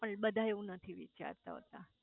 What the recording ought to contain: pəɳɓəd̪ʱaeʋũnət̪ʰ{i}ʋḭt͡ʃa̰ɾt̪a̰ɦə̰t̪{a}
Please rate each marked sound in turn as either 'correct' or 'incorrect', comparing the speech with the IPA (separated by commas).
correct, correct